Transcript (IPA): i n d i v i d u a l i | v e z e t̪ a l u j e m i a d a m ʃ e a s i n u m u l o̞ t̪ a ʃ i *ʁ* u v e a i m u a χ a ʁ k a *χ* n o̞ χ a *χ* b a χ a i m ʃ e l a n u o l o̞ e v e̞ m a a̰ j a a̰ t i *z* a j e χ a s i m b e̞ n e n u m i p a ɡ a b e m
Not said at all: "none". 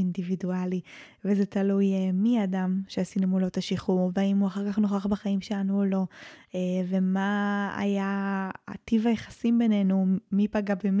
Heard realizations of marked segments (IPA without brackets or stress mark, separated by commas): χ, χ, χ, v